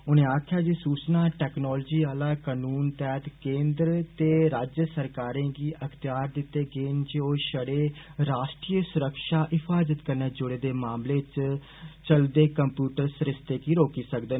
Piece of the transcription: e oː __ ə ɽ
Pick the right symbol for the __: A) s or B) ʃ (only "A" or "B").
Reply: B